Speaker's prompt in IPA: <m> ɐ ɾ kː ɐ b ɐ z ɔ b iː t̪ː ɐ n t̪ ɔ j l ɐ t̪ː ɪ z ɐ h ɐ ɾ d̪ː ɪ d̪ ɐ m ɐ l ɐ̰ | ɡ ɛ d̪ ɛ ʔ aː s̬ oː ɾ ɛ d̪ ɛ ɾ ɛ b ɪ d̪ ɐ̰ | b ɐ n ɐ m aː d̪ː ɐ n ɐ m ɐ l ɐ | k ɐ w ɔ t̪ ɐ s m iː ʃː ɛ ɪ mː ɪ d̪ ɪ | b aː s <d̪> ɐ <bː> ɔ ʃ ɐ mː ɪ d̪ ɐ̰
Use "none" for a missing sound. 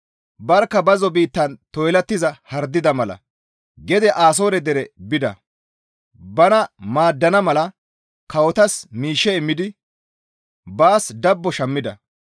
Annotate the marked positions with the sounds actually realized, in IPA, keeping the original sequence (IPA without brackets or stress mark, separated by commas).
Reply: b, d̪, bː